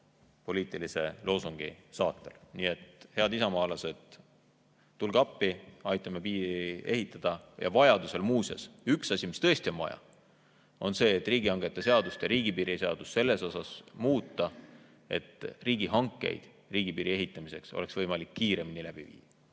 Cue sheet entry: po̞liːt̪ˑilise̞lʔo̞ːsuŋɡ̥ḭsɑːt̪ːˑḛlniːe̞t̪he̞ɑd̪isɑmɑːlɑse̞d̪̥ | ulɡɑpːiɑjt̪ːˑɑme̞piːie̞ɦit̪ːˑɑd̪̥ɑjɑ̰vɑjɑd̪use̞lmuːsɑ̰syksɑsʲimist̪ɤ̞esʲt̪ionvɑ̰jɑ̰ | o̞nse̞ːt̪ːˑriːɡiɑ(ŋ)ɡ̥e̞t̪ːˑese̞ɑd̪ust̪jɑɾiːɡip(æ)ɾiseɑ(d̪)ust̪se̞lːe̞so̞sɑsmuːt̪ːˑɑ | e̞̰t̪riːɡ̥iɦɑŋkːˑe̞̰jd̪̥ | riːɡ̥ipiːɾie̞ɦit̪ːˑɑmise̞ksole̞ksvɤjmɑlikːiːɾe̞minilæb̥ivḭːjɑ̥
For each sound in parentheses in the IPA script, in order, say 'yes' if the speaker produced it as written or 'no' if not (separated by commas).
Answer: yes, no, yes